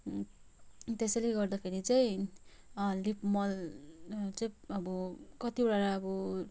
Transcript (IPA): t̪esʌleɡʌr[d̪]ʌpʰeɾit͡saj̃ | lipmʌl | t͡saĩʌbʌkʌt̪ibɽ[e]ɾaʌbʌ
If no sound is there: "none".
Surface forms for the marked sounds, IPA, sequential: d̪, a

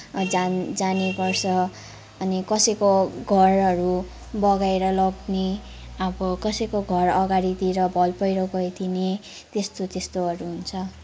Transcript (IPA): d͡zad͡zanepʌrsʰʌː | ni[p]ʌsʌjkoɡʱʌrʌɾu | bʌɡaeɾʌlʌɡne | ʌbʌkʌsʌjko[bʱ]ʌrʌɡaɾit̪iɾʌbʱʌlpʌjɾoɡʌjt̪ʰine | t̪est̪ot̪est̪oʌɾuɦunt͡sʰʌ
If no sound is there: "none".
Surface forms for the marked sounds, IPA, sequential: k, ɡʱ

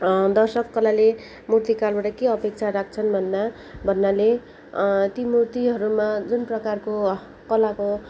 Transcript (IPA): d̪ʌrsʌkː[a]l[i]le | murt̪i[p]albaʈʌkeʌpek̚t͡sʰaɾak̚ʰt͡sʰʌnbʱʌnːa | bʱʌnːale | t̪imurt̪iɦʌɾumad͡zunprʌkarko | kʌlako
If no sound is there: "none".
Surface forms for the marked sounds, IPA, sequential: ʌ, a, k

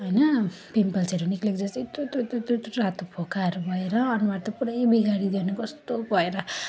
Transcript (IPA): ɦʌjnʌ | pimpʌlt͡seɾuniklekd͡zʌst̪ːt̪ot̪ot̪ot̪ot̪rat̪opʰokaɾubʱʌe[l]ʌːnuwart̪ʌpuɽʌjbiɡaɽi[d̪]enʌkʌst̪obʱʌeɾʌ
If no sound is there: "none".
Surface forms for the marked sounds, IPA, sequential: ɾ, d̪

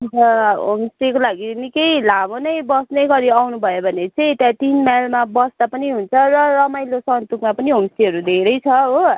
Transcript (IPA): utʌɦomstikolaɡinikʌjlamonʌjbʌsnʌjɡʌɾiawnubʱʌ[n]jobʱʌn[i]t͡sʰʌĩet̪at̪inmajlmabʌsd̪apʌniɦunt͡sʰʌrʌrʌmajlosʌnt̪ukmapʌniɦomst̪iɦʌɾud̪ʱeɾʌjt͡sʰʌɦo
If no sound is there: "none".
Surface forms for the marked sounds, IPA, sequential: none, e

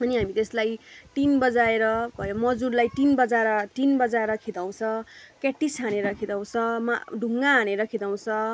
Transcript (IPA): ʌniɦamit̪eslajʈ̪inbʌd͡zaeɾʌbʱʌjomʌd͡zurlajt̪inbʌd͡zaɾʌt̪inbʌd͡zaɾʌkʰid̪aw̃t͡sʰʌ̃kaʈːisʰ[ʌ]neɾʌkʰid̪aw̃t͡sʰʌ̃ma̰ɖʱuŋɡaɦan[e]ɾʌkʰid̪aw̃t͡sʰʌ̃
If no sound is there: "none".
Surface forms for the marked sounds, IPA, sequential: a, e

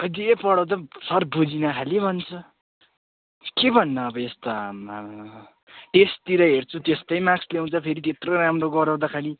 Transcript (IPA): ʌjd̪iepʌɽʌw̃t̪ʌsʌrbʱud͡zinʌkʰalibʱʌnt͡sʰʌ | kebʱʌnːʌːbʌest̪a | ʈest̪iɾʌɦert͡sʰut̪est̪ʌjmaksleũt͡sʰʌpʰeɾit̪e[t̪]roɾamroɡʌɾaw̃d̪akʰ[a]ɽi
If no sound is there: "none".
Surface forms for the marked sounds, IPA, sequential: t̪, a

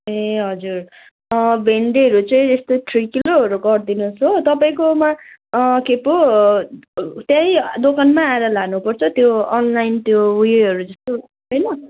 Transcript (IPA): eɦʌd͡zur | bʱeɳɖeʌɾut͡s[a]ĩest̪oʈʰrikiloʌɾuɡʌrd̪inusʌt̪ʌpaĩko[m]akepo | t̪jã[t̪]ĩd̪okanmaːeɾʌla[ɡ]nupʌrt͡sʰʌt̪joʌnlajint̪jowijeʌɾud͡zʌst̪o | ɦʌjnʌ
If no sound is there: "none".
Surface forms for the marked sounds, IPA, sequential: ʌ, m, none, ɡ

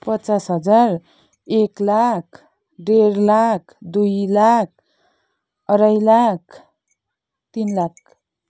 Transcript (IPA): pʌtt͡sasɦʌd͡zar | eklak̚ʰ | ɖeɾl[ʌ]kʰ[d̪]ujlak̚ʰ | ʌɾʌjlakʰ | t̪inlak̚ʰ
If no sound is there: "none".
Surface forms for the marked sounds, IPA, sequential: a, d̪

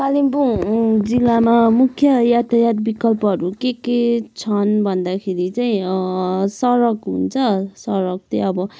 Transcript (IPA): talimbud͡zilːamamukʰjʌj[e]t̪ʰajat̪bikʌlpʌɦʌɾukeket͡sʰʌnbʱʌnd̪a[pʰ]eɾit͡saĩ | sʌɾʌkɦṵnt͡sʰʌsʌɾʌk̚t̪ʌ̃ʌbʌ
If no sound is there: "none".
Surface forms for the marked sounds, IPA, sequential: a, kʰ

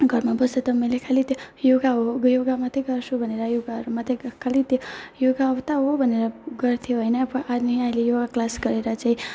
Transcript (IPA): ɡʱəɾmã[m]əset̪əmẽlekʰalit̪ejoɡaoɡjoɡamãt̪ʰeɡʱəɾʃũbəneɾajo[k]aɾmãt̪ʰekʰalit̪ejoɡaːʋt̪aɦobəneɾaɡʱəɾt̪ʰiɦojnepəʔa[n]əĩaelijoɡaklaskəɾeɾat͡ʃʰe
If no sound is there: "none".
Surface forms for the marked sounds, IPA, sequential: b, ɡ, n

